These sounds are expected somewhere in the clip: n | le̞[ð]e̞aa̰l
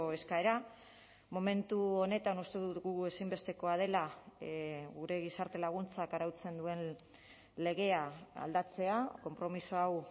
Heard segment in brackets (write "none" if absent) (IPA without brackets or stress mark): ɣ